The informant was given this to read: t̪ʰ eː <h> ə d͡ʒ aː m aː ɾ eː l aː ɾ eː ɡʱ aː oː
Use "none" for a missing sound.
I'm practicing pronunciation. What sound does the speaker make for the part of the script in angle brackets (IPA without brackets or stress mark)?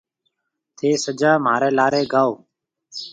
s